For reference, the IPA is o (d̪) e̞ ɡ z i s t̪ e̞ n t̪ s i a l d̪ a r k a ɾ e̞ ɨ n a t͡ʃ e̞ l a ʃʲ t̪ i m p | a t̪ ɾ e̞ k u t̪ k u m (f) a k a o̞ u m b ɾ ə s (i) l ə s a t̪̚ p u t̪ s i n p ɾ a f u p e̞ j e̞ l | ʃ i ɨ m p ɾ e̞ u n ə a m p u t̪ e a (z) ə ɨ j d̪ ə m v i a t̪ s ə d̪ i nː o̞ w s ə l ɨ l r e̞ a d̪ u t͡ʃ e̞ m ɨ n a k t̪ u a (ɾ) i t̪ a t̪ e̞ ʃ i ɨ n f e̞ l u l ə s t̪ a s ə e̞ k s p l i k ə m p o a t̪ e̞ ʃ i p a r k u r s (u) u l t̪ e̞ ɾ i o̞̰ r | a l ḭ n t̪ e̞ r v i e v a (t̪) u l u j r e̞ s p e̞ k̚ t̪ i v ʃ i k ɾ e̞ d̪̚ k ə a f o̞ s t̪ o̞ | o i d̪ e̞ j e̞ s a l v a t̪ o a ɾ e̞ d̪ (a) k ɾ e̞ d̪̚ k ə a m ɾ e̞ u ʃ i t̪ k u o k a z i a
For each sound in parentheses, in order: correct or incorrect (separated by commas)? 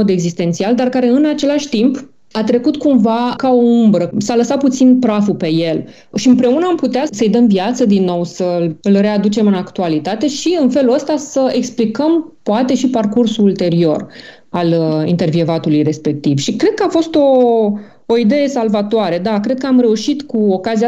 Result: correct, incorrect, incorrect, incorrect, incorrect, correct, correct, correct